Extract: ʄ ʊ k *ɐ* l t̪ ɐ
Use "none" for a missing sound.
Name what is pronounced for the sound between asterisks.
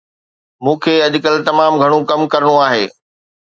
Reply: ə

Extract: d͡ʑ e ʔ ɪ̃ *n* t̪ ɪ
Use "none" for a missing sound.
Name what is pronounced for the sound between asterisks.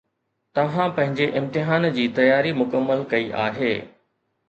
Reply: m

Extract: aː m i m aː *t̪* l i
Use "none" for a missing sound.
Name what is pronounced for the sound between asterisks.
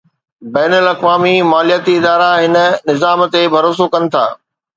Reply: none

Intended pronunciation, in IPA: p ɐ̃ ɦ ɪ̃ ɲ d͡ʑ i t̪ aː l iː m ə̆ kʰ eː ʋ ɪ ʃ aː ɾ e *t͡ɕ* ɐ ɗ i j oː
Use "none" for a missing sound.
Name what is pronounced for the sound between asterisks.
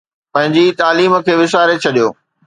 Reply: t͡ɕʰ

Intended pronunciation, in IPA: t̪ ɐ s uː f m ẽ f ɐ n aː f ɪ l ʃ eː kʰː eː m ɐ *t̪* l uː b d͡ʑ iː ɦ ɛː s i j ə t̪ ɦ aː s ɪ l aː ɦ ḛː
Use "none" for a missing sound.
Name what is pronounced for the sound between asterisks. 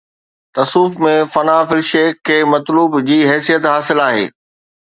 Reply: t̪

